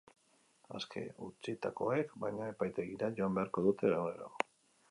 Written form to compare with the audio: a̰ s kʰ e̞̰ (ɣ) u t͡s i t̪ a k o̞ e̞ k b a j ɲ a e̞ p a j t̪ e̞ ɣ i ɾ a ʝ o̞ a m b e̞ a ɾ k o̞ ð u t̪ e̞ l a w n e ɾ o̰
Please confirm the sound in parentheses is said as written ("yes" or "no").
no